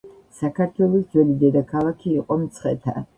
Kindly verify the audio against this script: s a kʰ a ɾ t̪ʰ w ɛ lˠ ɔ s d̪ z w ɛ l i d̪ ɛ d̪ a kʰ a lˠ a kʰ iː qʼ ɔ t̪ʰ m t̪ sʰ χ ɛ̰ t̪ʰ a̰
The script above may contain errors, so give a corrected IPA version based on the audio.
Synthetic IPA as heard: s a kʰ a ɾ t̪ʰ w ɛ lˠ ɔ s d̪ z w ɛ l i d̪ ɛ d̪ a kʰ a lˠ a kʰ iː qʼ ɔ m t̪ sʰ χ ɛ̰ t̪ʰ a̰